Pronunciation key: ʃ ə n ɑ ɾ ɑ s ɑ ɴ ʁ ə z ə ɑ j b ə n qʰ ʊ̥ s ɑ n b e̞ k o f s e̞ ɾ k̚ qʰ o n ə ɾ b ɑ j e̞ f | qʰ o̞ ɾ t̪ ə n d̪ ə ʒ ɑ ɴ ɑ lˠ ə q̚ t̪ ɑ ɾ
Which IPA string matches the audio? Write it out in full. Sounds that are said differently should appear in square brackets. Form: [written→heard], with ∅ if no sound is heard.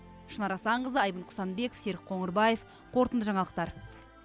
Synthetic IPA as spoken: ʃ ə n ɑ ɾ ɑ s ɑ ɴ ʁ ə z ə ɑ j b ə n qʰ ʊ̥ s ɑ n b e̞ k o f s e̞ ɾ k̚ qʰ o [n→ɴ] ə ɾ b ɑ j e̞ f | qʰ o̞ ɾ t̪ ə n d̪ ə ʒ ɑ ɴ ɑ lˠ ə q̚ t̪ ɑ ɾ